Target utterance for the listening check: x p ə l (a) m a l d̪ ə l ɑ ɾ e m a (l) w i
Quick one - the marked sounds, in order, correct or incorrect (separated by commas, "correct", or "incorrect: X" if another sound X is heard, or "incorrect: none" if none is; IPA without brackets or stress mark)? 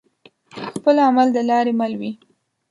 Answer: correct, correct